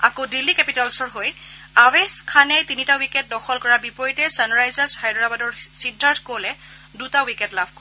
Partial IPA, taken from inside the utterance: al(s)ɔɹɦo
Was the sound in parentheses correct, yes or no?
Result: yes